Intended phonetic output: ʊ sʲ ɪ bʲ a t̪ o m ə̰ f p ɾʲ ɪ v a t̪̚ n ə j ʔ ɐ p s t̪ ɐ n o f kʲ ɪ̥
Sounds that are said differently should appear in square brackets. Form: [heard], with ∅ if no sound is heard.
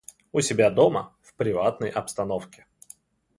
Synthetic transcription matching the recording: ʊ sʲ ɪ bʲ a [d̪] o m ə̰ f p ɾʲ ɪ v a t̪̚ n ə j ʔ ɐ p s t̪ ɐ n o f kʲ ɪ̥